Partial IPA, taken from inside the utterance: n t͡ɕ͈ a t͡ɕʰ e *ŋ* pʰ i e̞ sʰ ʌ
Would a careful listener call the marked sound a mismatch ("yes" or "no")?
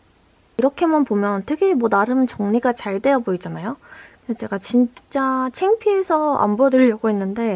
no